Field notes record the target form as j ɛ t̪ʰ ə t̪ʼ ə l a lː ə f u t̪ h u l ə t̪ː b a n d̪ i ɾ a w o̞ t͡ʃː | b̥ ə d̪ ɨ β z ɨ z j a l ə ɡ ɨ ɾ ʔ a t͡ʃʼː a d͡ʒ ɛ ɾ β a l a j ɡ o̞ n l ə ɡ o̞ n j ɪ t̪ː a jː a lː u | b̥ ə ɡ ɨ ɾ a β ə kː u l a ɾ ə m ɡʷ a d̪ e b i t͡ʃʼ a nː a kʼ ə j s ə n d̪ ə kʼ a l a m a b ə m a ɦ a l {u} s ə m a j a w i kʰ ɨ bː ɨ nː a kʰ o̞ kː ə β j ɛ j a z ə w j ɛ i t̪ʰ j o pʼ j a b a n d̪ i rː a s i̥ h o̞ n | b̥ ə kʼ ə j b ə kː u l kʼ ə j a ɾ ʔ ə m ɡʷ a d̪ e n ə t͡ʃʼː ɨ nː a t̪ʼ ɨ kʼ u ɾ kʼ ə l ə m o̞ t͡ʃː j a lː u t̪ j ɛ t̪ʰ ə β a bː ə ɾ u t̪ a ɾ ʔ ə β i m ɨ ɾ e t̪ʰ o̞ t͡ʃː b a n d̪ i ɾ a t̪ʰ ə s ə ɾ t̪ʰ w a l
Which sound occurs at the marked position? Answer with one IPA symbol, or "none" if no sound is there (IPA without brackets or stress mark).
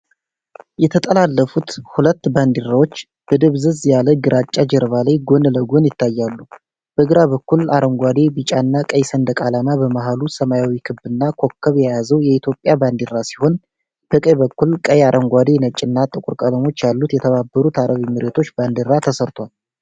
u